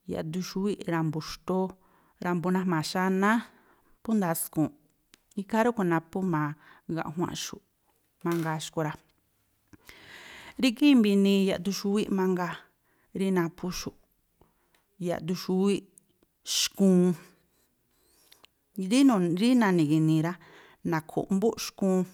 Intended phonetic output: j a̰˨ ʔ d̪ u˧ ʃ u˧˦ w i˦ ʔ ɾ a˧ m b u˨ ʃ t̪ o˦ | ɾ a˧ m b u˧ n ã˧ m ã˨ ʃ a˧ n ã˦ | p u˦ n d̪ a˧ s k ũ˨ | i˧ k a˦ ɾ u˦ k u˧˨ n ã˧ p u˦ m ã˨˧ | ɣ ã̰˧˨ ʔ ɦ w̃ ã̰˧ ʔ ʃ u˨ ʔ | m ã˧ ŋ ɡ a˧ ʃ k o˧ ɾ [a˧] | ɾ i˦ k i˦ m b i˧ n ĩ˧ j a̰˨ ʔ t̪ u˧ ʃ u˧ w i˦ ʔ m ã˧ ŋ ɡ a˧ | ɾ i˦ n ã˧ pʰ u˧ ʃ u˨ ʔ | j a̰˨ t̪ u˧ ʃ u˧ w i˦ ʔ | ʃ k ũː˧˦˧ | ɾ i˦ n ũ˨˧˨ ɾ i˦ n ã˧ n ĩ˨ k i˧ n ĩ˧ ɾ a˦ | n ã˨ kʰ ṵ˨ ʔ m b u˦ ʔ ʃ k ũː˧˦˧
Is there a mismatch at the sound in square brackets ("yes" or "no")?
no